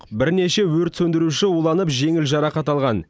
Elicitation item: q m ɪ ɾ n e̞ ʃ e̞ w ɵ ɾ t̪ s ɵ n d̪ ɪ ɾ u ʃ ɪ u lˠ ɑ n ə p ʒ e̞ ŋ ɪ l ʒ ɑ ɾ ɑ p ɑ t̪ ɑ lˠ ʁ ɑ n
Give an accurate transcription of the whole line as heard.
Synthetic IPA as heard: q b ɪ ɾ n e̞ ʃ e̞ w ɵ ɾ t̪ s ɵ n d̪ ɪ ɾ u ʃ ɪ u lˠ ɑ n ə p ʒ e̞ ŋ ɪ l ʒ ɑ ɾ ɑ q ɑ t̪ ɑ lˠ ʁ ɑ n